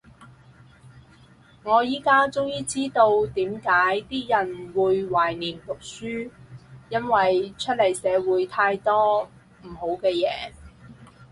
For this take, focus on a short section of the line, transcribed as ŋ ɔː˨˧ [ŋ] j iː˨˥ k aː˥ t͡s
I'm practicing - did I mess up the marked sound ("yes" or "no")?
yes